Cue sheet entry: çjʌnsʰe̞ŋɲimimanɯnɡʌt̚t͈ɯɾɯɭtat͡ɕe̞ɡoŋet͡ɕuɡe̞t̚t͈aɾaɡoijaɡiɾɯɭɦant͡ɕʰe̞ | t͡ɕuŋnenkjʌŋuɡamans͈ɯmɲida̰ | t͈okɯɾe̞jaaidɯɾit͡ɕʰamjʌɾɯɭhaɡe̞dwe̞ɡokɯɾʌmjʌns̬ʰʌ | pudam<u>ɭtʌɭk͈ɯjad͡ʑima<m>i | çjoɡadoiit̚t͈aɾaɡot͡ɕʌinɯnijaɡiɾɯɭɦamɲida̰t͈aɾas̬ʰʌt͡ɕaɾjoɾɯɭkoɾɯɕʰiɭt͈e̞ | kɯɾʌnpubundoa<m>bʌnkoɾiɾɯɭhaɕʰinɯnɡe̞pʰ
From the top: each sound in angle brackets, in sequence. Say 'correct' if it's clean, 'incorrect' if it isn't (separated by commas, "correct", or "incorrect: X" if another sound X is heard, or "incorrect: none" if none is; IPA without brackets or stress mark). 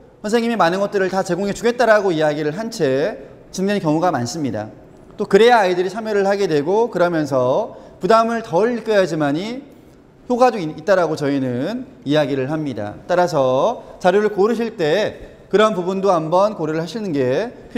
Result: incorrect: ɯ, incorrect: ɲ, correct